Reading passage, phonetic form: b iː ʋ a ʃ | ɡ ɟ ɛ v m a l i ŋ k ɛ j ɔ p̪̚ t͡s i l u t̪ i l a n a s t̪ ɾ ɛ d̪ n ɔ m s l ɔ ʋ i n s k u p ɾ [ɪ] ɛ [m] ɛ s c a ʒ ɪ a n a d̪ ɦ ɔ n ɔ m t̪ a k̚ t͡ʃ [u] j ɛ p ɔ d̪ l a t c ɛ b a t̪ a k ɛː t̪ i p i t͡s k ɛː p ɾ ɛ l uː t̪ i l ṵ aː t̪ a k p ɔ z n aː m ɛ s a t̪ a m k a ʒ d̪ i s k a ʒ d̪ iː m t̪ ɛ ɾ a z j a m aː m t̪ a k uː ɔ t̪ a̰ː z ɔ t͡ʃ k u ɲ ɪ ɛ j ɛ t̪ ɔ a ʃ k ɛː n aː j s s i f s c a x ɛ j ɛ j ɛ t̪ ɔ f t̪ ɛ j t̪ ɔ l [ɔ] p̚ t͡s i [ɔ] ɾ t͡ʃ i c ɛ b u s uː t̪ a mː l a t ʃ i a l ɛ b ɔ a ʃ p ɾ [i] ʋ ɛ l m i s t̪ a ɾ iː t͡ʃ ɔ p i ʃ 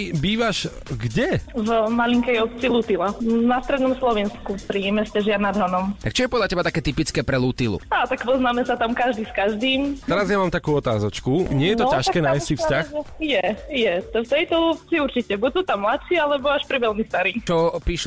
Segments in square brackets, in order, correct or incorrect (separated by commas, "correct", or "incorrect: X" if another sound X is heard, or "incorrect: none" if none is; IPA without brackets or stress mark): incorrect: i, correct, incorrect: ɔ, incorrect: u, incorrect: u, correct